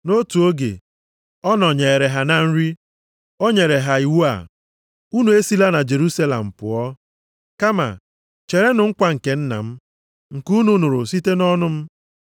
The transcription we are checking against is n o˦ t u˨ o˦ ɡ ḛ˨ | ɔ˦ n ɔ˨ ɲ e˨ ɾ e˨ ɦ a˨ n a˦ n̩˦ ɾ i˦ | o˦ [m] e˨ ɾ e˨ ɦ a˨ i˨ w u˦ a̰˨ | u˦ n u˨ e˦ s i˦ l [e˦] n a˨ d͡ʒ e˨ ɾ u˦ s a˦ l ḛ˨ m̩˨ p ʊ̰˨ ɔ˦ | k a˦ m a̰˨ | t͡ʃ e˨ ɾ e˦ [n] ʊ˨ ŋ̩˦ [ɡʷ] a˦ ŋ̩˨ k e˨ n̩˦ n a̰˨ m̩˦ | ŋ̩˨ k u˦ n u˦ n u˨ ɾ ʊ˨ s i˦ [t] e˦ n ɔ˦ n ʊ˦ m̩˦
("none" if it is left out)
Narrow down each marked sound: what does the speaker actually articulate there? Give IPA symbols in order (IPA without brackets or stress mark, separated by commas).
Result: ɲ, a˦, n, kʷ, t